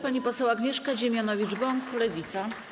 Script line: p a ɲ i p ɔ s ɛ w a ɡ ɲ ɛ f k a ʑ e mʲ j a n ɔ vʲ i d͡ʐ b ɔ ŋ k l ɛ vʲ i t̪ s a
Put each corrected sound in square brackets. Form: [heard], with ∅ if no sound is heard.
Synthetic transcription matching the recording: p a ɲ i p ɔ s ɛ w a ɡ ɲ ɛ [ʂ] k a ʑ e mʲ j a n ɔ vʲ i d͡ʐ b ɔ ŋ k l ɛ vʲ i t̪ s a